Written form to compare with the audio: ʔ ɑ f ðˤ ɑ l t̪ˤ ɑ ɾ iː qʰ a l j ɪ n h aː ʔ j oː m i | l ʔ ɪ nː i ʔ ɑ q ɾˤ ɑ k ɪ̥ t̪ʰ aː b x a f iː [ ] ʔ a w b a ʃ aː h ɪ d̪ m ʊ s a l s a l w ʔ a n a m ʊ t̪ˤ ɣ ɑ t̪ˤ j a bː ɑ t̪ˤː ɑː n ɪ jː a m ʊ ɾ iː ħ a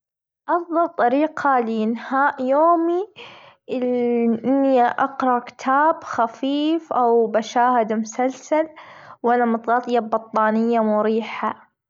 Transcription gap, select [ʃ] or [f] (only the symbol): f